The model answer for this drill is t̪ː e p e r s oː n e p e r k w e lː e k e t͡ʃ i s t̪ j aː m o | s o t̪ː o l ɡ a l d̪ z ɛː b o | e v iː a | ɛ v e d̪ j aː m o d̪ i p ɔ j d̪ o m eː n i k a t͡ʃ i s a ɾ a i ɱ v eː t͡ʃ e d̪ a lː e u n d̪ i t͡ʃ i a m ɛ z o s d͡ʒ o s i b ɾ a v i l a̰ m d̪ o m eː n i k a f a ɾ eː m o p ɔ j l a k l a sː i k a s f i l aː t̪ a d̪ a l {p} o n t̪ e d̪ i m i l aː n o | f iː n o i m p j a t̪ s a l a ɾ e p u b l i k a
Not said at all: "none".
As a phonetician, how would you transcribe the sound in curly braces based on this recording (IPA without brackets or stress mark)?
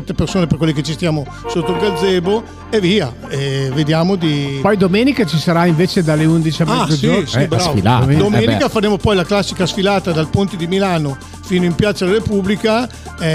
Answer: p